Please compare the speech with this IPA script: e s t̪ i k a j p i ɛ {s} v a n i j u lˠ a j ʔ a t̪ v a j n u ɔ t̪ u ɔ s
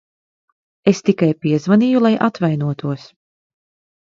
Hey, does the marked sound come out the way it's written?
no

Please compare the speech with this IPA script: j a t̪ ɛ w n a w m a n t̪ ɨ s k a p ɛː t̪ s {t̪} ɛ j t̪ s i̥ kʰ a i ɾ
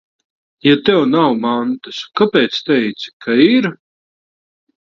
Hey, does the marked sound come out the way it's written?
yes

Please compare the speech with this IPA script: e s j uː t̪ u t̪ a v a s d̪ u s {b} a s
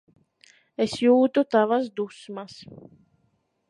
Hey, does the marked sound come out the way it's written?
no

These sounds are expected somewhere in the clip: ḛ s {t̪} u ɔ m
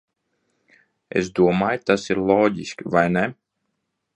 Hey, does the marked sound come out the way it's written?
no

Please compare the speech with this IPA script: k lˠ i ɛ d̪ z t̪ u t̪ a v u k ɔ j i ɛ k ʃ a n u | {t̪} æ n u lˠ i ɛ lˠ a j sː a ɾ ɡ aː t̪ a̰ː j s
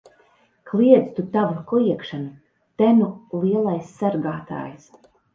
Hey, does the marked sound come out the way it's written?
yes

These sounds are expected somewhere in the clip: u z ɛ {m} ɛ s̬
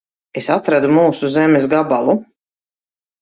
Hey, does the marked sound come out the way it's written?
yes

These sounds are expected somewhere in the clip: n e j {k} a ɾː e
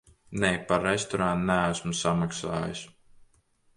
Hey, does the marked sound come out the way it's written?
no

